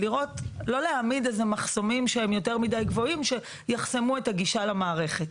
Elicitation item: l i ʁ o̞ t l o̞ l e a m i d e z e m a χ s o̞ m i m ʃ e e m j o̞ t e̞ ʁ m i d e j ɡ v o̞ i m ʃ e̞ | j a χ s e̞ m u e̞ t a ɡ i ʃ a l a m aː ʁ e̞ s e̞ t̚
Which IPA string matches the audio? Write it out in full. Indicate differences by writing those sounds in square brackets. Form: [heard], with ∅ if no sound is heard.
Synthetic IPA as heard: l i ʁ o̞ t l o̞ l e a m i d e z e m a χ s o̞ m i m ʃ e e m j o̞ t e̞ ʁ m i d [a] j ɡ v o̞ i m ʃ e̞ | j a χ s e̞ m u e̞ t a ɡ i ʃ a l a m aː ʁ e̞ [χ] e̞ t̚